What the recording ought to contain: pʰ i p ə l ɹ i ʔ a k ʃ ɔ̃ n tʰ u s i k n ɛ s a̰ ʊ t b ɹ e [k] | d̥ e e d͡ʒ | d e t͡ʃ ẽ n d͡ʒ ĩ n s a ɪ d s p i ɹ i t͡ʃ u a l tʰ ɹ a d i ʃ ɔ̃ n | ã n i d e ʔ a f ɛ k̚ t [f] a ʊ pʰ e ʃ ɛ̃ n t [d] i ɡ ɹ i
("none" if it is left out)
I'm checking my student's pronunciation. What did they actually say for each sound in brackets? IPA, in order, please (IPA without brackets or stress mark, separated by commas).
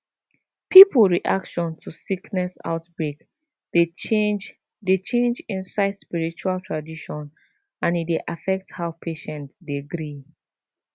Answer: k, h, d